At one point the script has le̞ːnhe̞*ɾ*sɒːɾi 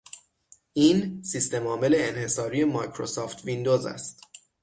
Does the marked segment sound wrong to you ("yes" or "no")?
yes